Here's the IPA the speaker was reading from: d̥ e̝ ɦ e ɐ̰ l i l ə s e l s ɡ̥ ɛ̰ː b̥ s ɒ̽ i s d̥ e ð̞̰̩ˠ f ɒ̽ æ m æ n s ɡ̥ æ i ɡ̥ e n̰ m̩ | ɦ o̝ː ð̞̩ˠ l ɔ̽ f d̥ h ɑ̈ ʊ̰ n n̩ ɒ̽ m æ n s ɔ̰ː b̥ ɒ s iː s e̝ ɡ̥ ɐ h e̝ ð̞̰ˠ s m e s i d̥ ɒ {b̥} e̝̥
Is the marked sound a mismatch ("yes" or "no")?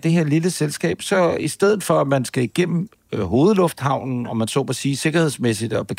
no